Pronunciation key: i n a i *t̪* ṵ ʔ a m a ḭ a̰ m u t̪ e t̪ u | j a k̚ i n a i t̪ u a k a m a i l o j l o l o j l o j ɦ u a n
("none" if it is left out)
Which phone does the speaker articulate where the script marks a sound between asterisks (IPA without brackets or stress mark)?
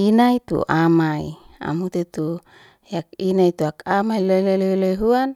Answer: t̪